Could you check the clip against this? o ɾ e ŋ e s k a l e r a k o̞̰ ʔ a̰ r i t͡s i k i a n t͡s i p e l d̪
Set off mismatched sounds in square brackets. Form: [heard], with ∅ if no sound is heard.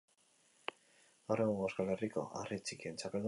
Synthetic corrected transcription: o ɾ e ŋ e s k a l e r [i] k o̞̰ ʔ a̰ r i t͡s i k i [e] n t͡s [a] p e l d̪